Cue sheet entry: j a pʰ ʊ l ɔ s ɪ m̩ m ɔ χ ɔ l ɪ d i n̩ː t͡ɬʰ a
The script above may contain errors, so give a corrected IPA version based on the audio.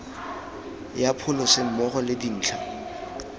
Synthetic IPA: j a pʰ ʊ l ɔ s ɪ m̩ m ɔ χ ɔ l ɪ d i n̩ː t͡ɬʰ a